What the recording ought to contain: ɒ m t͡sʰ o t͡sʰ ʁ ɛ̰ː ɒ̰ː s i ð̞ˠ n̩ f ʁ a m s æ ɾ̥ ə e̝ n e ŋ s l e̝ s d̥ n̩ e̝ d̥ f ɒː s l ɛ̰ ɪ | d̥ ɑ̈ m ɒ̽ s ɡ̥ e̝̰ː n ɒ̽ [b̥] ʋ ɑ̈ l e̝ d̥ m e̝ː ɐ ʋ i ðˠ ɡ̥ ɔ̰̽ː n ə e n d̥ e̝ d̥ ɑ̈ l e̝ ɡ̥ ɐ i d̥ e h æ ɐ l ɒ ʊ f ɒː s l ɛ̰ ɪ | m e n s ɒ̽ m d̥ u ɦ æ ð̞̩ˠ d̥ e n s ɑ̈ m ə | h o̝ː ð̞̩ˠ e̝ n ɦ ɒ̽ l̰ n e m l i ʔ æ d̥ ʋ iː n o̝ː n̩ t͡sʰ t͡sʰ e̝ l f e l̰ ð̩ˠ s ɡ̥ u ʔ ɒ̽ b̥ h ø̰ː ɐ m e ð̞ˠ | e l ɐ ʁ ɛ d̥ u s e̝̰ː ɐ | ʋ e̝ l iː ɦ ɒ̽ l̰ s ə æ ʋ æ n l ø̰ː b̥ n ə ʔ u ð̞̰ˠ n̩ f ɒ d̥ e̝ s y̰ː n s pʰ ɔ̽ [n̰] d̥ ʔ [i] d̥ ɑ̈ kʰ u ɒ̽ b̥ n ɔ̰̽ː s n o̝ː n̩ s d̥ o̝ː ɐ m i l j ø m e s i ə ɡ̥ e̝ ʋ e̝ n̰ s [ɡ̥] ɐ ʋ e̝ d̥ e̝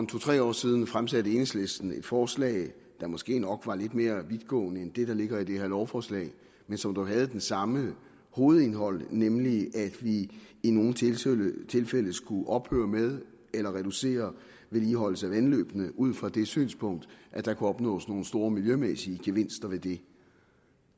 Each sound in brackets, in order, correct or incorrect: incorrect, incorrect, incorrect, incorrect

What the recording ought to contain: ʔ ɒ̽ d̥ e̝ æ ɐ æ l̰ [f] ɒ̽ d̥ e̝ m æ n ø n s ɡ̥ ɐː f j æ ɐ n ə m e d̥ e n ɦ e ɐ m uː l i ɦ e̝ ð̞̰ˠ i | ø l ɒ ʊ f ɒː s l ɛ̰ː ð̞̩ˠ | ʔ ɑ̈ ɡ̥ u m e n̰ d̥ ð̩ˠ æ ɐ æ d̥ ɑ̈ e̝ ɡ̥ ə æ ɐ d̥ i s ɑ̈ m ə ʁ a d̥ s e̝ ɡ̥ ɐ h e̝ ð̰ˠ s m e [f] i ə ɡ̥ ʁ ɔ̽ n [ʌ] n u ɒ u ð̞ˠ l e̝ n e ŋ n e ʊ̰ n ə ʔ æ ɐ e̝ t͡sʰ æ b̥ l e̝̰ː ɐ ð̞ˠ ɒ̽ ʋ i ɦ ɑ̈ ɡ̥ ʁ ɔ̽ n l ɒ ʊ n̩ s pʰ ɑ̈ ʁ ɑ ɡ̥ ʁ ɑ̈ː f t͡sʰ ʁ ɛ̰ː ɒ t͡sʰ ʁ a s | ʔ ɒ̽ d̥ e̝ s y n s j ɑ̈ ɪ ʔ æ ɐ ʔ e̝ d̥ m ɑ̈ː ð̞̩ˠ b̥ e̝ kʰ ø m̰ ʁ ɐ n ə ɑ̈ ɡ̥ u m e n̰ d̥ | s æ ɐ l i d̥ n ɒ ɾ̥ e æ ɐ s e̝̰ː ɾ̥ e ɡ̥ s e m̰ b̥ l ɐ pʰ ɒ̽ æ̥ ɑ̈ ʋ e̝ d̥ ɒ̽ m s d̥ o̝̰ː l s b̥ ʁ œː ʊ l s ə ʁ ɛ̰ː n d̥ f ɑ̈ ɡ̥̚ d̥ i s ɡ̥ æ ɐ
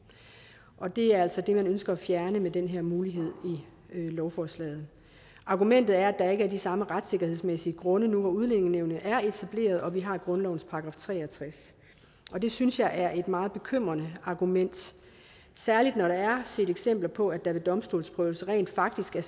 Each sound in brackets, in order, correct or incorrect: incorrect, incorrect, incorrect

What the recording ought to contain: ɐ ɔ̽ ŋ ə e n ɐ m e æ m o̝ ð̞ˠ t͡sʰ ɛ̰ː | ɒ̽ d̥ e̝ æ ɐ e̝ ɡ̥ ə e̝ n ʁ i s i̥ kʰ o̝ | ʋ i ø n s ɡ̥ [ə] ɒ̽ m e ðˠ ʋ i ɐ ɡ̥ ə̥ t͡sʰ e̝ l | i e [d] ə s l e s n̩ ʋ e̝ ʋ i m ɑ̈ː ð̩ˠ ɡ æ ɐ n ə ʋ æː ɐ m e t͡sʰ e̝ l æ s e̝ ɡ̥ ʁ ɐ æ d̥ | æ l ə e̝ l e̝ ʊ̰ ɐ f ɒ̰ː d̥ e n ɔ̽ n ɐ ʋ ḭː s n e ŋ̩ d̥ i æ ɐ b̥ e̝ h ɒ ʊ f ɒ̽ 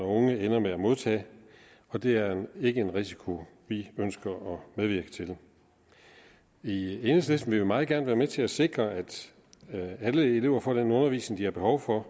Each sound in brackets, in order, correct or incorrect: incorrect, incorrect

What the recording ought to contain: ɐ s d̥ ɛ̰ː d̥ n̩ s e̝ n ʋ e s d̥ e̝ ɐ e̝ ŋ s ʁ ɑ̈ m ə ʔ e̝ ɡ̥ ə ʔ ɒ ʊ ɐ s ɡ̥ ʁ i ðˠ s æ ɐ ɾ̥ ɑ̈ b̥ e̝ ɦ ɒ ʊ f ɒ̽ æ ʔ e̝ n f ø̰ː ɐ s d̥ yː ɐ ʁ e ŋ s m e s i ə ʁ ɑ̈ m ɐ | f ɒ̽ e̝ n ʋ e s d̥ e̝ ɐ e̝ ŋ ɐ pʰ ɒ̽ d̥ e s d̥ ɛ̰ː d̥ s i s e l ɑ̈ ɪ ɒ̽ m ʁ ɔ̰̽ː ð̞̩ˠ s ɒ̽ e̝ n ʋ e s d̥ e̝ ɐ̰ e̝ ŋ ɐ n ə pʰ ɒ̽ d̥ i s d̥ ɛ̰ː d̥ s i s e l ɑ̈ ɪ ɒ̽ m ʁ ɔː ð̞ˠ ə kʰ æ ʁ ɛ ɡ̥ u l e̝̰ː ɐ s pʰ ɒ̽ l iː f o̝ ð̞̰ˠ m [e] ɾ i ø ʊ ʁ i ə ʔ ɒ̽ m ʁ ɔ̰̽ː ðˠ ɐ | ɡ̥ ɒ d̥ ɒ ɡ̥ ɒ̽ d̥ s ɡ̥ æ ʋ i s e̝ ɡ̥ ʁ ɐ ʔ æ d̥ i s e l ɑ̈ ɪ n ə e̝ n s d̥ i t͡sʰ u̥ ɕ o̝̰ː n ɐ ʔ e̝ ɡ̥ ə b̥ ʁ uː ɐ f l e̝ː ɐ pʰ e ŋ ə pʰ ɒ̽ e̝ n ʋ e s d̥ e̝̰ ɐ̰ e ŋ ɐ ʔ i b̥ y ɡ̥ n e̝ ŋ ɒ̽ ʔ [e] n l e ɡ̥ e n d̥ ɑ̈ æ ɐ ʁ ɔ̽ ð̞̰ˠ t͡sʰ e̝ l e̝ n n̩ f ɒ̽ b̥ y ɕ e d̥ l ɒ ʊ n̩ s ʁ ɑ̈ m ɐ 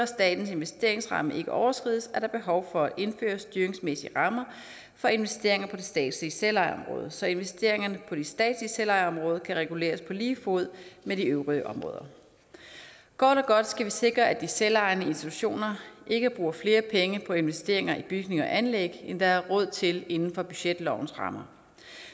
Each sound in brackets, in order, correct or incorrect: correct, incorrect

